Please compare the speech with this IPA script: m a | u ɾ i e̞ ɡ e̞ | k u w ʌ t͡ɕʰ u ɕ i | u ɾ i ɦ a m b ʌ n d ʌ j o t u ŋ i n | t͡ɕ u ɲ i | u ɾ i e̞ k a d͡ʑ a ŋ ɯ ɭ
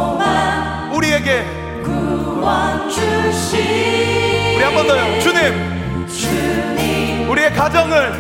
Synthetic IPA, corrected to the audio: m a | u ɾ i e̞ ɡ e̞ | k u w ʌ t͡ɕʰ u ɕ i | u ɾ i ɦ a m b ʌ n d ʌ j o t͡ɕ u ɲ i m | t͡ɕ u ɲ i | u ɾ i e̞ k a d͡ʑ ʌ ŋ ɯ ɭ